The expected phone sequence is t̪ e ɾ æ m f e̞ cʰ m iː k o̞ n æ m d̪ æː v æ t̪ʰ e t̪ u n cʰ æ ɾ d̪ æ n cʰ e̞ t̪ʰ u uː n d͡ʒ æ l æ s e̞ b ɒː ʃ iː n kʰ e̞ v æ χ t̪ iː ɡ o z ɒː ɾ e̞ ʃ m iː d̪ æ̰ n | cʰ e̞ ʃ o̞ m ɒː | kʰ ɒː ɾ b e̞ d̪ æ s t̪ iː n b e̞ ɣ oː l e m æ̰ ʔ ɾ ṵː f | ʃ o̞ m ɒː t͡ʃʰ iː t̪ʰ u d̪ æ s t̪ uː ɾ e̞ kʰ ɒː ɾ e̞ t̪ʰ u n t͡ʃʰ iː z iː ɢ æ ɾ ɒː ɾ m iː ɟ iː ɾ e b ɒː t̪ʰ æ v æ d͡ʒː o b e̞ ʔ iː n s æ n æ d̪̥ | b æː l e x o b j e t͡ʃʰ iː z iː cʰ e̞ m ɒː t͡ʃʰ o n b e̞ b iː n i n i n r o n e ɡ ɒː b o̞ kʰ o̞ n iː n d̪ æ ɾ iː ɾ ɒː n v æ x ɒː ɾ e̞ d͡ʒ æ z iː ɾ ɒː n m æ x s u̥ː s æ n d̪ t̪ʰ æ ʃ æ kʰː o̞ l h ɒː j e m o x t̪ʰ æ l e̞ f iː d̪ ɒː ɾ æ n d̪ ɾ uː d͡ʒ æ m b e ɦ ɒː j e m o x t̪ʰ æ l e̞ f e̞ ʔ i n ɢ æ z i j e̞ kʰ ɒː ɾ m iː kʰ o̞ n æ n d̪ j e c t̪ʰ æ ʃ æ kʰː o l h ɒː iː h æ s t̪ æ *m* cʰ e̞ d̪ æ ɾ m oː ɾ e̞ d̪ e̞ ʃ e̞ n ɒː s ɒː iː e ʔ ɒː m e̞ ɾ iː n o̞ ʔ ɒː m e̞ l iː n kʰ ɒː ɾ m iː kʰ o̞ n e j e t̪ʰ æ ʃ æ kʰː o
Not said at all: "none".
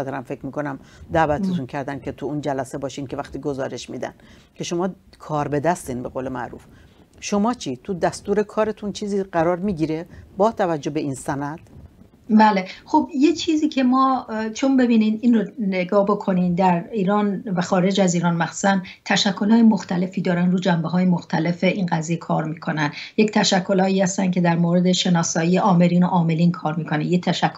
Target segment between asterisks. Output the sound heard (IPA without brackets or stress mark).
n